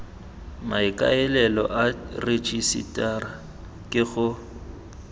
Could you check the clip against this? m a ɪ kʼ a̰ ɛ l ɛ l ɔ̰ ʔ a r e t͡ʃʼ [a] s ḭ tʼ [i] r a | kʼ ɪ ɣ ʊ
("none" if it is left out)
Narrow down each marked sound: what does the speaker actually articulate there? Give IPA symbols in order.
i, a

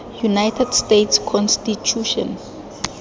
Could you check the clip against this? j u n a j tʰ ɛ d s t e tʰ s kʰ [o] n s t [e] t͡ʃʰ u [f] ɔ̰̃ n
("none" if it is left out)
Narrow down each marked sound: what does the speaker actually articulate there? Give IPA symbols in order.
ɔ, i, ʃ

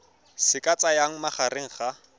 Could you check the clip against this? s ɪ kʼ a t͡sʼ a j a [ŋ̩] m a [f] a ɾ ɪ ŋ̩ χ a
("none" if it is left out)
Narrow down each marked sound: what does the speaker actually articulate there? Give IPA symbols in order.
ŋ̩, χ

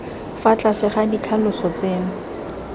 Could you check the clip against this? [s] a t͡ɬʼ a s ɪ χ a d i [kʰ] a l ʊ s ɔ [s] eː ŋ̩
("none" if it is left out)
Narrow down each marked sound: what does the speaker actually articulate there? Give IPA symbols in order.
f, kʰ, t͡s

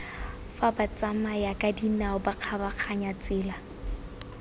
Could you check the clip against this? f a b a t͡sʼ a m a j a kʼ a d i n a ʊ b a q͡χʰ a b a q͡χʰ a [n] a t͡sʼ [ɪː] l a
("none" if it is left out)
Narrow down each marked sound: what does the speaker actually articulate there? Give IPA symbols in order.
ɲ, ɪː

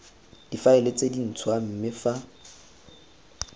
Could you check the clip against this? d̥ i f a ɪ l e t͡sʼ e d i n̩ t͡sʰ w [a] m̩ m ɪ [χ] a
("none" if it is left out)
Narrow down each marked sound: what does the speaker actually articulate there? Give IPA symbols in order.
a, f

